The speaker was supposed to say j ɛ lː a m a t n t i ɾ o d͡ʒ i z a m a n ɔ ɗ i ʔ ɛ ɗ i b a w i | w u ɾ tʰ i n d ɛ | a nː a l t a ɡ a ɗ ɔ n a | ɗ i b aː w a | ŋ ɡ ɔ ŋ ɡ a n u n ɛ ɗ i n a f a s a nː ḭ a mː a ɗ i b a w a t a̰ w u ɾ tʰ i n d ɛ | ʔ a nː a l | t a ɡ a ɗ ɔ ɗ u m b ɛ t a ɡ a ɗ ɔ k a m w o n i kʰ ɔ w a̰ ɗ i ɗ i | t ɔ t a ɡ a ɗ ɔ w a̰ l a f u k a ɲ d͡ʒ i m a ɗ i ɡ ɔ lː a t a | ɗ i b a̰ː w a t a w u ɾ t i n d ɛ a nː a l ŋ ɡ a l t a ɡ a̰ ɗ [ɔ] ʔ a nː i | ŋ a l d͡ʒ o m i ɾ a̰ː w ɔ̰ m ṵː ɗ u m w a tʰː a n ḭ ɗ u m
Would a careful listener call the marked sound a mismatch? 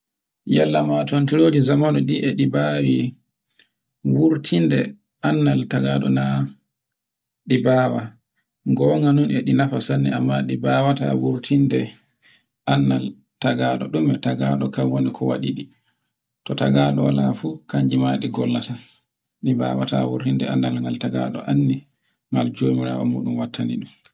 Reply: no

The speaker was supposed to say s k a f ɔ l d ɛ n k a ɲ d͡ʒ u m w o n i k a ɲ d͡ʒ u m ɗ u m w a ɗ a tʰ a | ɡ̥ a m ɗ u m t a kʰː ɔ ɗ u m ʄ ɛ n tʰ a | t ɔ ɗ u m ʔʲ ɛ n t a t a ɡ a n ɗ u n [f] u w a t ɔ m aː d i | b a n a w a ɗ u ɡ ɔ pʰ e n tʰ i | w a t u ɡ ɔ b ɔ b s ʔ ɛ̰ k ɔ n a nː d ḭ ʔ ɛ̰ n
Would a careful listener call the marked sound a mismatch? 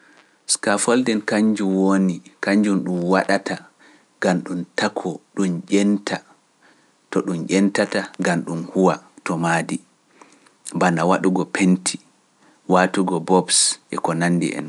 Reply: yes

